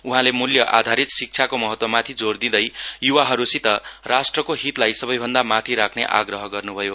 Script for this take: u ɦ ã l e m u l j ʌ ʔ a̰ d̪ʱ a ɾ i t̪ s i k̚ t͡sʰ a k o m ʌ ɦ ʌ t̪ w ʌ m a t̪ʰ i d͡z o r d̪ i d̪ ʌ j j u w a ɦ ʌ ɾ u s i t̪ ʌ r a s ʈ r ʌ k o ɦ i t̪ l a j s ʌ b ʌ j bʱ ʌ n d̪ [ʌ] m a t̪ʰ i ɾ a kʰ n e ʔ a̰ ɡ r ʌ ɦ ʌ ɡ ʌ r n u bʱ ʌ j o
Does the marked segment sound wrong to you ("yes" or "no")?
yes